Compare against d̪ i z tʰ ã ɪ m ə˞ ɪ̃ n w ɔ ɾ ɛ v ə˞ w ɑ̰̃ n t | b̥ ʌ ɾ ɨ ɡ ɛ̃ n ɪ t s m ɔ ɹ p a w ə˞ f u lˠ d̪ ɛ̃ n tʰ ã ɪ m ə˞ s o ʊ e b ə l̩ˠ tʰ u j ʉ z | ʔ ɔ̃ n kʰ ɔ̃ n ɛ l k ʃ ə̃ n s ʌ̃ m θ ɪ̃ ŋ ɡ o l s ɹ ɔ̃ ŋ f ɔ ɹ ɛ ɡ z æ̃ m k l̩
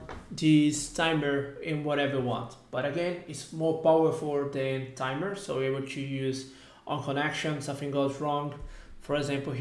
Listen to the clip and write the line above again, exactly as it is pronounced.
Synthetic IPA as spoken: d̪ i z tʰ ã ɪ m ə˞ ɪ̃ n w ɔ ɾ ɛ v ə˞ w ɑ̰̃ n t | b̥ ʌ ɾ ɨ ɡ ɛ̃ n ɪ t s m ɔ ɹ p a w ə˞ f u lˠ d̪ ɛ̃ n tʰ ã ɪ m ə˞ s o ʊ e b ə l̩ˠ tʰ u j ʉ z | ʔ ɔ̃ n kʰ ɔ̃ n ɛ k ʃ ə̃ n s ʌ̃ m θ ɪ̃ ŋ ɡ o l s ɹ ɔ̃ ŋ f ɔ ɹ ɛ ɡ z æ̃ m p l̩

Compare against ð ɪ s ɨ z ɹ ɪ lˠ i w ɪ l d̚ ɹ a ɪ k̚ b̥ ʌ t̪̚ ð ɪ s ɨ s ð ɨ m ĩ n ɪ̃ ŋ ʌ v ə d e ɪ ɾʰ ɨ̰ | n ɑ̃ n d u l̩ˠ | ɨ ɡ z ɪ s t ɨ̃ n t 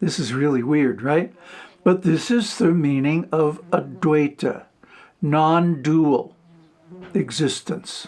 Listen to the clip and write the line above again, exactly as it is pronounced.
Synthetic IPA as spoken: ð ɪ s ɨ z ɹ ɪ lˠ i w ɪ ɹ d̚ ɹ a ɪ t̚ b̥ ʌ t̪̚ ð ɪ s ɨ z ð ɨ m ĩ n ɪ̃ ŋ ʌ v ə d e ɪ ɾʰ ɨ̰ | n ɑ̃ n d u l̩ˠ | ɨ ɡ z ɪ s t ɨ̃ n s

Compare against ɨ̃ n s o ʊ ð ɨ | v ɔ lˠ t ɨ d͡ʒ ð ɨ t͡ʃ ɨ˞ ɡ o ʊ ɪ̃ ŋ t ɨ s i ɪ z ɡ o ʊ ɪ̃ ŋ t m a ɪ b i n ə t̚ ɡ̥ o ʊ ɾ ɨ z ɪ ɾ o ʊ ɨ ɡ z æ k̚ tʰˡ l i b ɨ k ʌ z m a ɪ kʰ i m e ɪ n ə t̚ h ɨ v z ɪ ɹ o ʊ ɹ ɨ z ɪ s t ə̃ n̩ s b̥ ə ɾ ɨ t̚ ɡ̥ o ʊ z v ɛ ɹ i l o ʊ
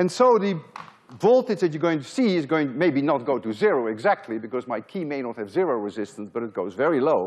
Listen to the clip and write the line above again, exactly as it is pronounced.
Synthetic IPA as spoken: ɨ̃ n s o ʊ ð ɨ | v ɔ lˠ t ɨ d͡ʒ ð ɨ t͡ʃ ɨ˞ ɡ o ʊ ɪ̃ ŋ t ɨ s i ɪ z ɡ o ʊ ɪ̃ ŋ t m e ɪ b i n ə t̚ ɡ̥ o ʊ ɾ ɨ z ɪ ɹ o ʊ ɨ ɡ z æ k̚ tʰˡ l i b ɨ k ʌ z m a ɪ kʰ i m e ɪ n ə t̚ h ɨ v z ɪ ɹ o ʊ ɹ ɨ z ɪ s t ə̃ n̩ s b̥ ʌ ɾ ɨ t̚ ɡ̥ o ʊ z v ɛ ɹ i l o ʊ

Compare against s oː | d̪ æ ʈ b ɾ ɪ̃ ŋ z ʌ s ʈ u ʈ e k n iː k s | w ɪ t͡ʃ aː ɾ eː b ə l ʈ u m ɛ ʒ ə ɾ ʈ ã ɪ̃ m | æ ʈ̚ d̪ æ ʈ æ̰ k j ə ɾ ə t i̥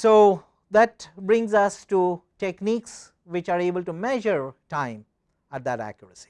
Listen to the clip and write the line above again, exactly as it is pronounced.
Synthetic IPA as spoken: s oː | d̪ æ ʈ b ɾ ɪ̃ ŋ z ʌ s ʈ u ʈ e k n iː k s | ʋ ɪ t͡ʃ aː ɾ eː b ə l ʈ u m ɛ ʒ ə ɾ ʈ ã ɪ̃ m | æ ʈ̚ d̪ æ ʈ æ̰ k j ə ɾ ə s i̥

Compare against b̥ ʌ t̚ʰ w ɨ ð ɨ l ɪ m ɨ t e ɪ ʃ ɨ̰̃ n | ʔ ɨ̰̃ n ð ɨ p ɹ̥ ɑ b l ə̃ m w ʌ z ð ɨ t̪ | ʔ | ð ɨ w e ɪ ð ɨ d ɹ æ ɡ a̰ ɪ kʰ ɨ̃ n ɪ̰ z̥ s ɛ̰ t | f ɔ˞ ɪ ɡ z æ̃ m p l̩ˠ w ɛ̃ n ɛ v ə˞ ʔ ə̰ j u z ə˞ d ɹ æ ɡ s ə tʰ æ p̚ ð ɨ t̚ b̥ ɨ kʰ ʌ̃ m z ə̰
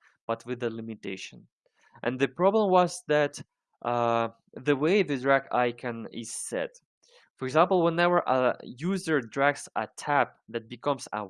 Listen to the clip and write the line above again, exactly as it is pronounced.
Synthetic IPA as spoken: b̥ ʌ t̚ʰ w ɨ ð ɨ l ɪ m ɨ t e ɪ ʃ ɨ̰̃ n | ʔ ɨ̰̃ n ð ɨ p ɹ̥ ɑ b l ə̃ m w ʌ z ð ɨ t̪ | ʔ | ð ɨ w e ɪ ð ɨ d ɹ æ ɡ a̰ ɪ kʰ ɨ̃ n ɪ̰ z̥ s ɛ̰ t | f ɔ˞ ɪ ɡ z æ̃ m p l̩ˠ w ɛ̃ n ɛ v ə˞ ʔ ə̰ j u z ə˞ d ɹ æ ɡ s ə tʰ æ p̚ ð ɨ t̚ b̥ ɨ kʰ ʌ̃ m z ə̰

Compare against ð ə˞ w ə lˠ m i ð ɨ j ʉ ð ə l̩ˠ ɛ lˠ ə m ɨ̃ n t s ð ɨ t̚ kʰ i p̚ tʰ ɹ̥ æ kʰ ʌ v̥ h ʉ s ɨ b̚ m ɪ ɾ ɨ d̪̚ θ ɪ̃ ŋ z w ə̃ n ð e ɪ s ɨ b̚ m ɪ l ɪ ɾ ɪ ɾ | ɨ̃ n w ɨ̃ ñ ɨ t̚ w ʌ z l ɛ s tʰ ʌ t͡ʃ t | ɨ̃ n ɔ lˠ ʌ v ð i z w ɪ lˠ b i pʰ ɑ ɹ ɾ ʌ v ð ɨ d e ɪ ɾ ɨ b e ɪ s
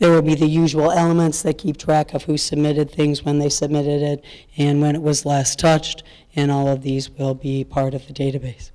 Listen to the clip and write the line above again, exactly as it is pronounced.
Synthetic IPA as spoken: ð ə˞ w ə lˠ b i ð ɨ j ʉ ʒ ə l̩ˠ ɛ lˠ ə m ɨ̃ n t s ð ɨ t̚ kʰ i p̚ tʰ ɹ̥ æ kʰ ʌ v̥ h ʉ s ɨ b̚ m ɪ ɾ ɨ d̪̚ θ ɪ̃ ŋ z w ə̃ n ð e ɪ s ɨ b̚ m ɪ ɾ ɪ ɾ ɪ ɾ | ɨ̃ n w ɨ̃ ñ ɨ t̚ w ʌ z l ɛ s tʰ ʌ t͡ʃ t | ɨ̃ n ɔ lˠ ʌ v ð i z w ɪ lˠ b i pʰ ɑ ɹ ɾ ʌ v ð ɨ d e ɪ ɾ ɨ b e ɪ s

